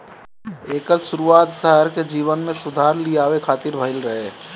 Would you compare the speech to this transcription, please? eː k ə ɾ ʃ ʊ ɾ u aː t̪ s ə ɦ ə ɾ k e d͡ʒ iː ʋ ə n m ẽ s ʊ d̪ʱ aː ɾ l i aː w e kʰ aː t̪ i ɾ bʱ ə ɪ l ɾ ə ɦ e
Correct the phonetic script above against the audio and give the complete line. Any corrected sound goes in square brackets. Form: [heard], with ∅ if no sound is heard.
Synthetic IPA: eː k ə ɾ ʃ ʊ ɾ u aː t̪ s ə ɦ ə ɾ k e d͡ʒ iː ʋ ə n m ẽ s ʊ d̪ʱ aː ɾ l i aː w e kʰ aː t̪ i ɾ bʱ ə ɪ l ɾ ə ɦ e